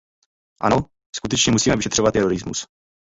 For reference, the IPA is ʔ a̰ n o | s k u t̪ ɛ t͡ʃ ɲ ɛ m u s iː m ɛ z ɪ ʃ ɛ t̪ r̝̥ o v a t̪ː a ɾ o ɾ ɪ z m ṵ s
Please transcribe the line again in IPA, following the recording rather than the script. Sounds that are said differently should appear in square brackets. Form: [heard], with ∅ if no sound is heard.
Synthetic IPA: ʔ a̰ n o | s k u t̪ ɛ t͡ʃ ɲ ɛ m u s iː m ɛ [v] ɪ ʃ ɛ t̪ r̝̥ o v a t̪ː [ɛ] ɾ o ɾ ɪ z m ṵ s